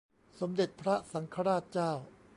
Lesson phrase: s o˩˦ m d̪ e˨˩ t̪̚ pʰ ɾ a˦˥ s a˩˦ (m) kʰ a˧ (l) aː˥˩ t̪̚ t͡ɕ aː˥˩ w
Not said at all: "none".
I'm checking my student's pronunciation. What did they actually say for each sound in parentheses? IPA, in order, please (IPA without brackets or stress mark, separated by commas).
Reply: ŋ, ɾ